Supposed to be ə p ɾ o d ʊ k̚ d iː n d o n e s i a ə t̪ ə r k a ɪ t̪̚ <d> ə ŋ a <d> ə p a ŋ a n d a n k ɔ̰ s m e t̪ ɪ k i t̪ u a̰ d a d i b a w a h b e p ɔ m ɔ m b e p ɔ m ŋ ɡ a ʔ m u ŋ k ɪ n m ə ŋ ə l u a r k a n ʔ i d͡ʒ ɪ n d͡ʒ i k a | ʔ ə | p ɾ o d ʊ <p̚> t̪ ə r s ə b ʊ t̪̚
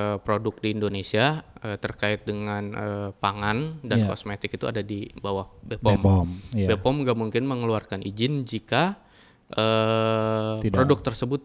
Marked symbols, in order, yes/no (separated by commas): yes, no, no